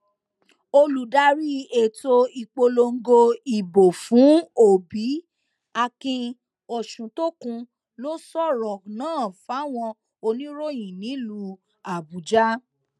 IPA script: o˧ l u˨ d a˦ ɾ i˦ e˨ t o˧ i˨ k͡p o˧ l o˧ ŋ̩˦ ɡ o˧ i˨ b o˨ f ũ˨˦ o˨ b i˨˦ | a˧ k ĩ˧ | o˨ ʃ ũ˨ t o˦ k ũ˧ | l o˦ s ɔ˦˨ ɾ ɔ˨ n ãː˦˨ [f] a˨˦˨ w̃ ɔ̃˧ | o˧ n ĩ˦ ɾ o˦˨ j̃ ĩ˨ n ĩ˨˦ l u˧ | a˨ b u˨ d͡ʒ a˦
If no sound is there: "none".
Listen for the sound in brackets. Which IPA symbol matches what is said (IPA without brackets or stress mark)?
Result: f